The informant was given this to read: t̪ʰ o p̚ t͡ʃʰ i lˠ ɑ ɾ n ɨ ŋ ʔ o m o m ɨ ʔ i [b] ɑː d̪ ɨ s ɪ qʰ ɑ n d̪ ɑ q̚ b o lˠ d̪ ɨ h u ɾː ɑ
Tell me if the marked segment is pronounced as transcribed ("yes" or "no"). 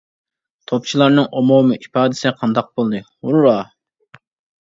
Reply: no